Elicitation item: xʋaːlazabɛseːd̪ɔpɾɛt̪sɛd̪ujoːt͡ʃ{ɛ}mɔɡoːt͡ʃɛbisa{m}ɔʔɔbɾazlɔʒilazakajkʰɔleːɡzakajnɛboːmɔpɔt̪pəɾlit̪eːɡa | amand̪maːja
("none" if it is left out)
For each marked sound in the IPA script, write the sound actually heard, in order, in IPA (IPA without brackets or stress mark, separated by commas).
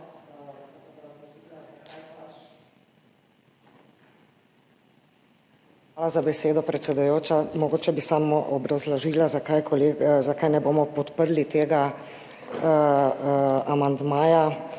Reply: a, m